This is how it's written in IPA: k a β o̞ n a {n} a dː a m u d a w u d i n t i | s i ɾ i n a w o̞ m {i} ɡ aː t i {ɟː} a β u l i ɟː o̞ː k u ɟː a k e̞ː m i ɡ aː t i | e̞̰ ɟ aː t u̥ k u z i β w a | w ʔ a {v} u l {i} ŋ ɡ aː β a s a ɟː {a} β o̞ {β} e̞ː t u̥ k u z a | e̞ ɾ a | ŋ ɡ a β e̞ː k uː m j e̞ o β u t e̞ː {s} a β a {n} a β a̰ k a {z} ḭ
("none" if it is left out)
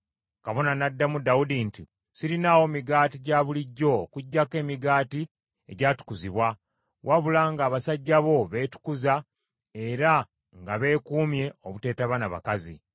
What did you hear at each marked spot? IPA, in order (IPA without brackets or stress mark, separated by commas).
n, i, ɟ, β, a, a, β, t, n, z